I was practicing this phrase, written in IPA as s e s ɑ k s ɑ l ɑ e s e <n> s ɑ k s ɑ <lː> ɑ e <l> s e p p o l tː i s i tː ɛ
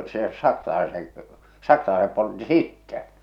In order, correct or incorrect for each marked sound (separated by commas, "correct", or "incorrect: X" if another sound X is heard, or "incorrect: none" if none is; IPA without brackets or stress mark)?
incorrect: ŋ, incorrect: l, incorrect: none